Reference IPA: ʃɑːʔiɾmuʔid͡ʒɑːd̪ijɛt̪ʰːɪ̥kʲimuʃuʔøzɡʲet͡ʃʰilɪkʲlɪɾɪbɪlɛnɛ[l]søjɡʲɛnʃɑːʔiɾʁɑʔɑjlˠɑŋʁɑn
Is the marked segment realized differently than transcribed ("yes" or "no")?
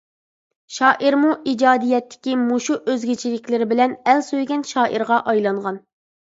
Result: no